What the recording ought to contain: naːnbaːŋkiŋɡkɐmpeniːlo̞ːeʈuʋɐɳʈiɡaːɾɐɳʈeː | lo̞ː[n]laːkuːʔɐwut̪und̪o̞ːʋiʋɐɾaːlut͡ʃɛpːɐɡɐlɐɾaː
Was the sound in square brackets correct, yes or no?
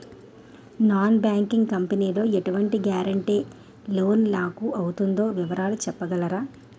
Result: yes